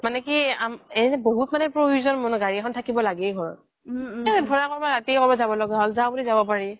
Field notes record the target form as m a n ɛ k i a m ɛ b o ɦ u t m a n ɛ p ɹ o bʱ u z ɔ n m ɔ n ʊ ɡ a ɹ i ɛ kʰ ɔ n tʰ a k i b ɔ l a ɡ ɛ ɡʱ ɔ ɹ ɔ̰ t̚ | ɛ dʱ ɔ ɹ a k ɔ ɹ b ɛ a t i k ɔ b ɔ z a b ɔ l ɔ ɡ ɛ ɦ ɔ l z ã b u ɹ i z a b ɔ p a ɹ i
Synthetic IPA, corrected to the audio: m a n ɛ k i a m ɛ b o ɦ u t m a n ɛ p ɹ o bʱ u z ɔ n m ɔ n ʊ ɡ a ɹ i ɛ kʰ ɔ n tʰ a k i b ɔ l a ɡ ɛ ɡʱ ɔ ɹ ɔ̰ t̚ | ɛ dʱ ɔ ɹ a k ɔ ɹ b a a t i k ɔ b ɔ z a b ɔ l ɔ ɡ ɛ ɦ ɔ l z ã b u l i z a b ɔ p a ɹ i